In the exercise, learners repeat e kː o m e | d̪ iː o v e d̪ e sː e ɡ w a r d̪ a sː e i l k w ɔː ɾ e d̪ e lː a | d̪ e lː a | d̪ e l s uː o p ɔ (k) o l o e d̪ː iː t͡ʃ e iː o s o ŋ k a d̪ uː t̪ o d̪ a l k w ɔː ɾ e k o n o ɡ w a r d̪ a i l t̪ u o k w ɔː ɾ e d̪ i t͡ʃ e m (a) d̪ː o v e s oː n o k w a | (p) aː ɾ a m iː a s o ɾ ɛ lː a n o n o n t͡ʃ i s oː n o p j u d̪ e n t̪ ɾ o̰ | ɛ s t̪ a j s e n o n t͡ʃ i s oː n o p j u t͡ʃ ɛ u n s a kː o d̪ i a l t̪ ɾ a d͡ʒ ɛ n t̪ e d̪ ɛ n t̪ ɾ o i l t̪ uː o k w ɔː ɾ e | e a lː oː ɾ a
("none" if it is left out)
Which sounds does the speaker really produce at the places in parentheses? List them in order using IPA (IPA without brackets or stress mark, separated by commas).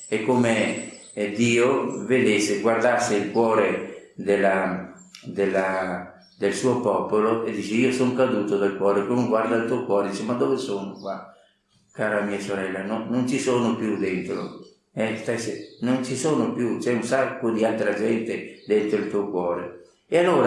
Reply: p, a, k